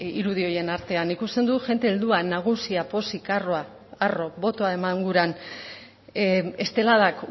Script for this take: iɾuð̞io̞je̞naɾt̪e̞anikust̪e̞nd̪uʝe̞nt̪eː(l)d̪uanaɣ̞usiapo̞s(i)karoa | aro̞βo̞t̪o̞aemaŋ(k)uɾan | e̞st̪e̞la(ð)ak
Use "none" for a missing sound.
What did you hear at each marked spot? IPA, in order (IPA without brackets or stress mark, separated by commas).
l, i, ɡ, ð